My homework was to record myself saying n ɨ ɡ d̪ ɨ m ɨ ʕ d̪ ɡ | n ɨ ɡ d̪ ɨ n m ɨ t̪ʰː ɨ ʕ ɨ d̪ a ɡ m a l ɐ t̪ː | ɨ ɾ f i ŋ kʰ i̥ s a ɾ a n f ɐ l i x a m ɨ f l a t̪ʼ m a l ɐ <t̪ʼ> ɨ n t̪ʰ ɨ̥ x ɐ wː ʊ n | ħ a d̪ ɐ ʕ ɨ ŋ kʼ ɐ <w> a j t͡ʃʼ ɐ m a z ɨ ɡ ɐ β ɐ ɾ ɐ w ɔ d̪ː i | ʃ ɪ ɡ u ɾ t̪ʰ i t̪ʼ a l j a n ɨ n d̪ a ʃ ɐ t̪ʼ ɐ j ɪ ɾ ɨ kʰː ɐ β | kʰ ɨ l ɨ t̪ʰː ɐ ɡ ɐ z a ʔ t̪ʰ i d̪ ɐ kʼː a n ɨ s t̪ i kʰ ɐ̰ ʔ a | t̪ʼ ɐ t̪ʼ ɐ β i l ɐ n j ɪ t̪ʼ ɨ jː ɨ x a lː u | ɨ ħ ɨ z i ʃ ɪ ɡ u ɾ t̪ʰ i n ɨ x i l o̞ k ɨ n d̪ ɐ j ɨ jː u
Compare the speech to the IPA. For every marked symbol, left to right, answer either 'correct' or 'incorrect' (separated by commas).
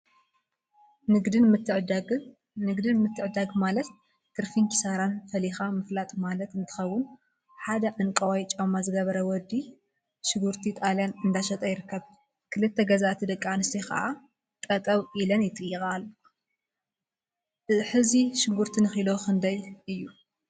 incorrect, correct